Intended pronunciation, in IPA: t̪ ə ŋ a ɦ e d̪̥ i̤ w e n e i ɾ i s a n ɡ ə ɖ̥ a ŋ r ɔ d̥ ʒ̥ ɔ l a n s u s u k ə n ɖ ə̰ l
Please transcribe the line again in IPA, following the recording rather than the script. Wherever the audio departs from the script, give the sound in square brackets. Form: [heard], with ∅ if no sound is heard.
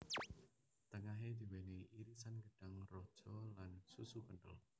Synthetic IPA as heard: t̪ ə ŋ a ɦ e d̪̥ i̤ w e n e i ɾ i s a n ɡ ə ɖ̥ a ŋ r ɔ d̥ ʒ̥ ɔ l a n s u s u k ə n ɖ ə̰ l